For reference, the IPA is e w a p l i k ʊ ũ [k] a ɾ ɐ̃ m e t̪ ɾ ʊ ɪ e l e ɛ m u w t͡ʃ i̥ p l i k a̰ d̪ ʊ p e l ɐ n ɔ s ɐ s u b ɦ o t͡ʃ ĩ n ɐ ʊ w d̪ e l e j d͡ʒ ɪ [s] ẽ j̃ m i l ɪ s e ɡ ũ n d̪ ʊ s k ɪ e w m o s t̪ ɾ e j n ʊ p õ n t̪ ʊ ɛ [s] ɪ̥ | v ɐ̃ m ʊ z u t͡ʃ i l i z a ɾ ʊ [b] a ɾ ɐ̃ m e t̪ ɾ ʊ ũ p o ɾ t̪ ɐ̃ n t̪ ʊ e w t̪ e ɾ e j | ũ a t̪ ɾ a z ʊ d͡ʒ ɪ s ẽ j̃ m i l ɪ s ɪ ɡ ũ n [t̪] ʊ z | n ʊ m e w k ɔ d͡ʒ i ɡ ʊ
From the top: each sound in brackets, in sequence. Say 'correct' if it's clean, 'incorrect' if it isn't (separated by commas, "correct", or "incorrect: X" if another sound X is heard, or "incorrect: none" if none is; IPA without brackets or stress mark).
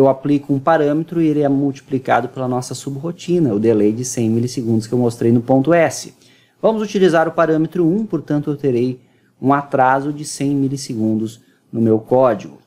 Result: incorrect: p, correct, correct, incorrect: p, incorrect: d̪